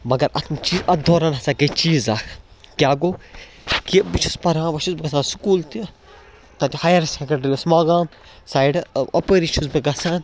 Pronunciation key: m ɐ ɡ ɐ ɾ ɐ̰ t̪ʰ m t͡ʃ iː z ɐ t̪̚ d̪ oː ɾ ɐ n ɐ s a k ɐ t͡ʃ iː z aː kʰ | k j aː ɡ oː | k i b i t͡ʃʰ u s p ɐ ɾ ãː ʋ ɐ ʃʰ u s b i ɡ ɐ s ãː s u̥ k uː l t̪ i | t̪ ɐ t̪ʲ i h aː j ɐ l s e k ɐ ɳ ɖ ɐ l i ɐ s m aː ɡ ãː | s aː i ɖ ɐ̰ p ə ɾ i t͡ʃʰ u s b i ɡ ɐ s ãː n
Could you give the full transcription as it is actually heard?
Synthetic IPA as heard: m ɐ ɡ ɐ ɾ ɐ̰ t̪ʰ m t͡ʃ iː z ɐ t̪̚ d̪ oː ɾ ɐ n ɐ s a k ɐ t͡ʃ iː z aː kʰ | k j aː ɡ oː | k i b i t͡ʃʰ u s p ɐ ɾ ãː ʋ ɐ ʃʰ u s b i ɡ ɐ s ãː s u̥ k uː l t̪ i | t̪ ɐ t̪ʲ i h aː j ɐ ɾ s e k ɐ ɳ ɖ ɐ ɾ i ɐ s m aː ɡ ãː | s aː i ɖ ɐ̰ p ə ɾ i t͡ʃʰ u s b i ɡ ɐ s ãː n